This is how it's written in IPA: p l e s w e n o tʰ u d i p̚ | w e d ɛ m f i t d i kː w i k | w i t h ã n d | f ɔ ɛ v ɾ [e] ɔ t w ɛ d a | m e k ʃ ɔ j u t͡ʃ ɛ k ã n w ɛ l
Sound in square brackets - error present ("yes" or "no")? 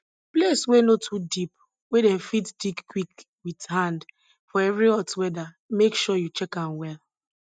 yes